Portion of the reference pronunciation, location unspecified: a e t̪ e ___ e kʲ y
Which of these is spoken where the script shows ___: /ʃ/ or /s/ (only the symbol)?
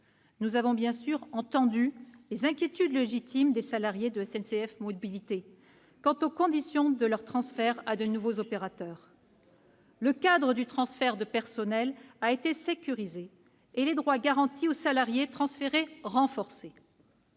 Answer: s